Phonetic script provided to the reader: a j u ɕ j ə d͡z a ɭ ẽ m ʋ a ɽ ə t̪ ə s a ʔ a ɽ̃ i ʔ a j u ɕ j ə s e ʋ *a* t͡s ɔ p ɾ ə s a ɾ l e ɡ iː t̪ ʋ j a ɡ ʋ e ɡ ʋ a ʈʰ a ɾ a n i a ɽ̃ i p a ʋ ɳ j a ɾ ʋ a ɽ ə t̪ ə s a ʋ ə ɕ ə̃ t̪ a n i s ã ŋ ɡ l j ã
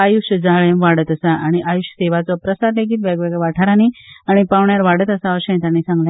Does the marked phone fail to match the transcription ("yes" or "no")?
no